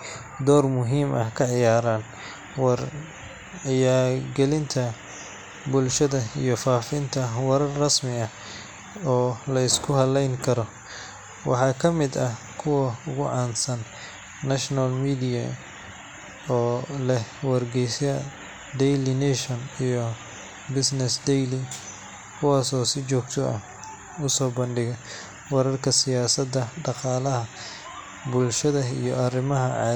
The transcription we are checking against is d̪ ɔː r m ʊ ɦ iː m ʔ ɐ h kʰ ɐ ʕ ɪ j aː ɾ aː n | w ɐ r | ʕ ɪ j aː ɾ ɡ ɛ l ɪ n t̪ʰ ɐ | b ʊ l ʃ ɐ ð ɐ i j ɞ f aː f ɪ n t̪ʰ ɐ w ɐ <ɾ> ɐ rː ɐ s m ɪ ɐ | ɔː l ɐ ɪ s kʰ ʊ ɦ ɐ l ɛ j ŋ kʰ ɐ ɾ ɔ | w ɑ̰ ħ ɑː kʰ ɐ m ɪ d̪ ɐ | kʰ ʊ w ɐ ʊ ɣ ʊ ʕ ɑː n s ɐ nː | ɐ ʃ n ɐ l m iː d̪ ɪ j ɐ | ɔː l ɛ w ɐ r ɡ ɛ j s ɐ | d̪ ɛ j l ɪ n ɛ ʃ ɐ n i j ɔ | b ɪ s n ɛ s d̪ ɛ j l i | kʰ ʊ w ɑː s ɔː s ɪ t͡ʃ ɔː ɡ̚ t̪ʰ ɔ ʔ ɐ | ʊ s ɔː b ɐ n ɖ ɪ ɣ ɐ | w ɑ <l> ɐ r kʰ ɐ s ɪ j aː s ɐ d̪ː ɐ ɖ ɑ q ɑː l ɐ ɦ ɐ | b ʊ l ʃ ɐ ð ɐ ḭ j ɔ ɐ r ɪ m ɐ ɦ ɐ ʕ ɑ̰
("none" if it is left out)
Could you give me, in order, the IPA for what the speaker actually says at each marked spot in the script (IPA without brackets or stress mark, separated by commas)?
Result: ɾ, ɾ